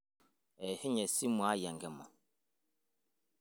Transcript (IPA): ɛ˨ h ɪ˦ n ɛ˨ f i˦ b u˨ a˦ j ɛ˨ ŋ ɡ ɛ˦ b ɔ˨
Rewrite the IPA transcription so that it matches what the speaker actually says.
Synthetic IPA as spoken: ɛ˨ h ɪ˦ ɲ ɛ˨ s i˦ m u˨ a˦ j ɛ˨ ŋ ɡ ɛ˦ m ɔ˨